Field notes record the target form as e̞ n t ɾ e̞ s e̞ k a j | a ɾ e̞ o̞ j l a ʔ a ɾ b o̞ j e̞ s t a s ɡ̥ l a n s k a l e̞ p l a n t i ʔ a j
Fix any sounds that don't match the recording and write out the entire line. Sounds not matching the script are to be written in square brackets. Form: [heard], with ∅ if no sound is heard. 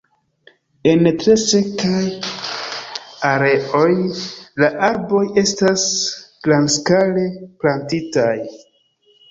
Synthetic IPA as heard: e̞ n t ɾ e̞ s e̞ k a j | a ɾ e̞ o̞ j l a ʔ a ɾ b o̞ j e̞ s t a s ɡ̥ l a n s k a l e̞ p l a n t i [t] a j